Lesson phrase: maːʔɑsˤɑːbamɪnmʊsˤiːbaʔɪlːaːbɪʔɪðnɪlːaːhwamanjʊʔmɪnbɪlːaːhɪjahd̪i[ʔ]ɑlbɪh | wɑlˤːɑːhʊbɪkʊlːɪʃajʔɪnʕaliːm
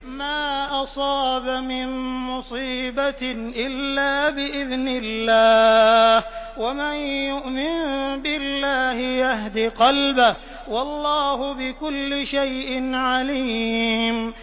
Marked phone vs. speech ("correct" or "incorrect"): incorrect